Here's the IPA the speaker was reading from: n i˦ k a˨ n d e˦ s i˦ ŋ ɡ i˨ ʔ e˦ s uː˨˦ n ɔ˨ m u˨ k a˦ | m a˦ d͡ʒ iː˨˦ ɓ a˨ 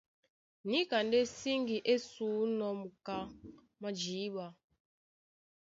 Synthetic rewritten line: n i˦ k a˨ n d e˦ s i˦ ŋ ɡ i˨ ʔ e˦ s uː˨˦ n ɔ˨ m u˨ k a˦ | m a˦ d͡ʒ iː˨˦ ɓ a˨